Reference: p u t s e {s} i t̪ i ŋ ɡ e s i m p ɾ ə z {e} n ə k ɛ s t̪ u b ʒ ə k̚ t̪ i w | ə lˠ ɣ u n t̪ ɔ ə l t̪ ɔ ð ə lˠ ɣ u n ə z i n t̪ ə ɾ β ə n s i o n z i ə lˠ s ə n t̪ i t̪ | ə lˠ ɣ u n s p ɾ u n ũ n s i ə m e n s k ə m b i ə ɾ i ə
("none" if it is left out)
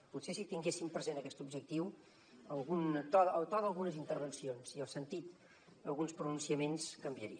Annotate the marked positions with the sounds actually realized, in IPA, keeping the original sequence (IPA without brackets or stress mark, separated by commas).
s, e